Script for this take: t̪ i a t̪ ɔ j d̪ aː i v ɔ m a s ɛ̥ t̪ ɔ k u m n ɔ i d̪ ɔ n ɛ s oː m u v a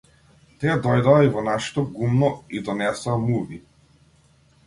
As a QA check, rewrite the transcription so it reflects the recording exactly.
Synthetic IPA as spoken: t̪ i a d̪ ɔ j d̪ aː i v ɔ n a ʃ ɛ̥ t̪ ɔ ɡ u m n ɔ i d̪ ɔ n ɛ s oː m u v i